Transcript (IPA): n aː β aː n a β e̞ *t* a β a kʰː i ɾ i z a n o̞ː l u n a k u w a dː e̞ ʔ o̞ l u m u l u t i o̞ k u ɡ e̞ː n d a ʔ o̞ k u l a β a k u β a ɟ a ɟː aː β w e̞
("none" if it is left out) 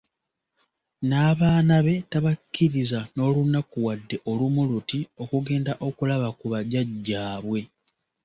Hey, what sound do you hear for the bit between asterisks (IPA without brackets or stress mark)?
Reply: t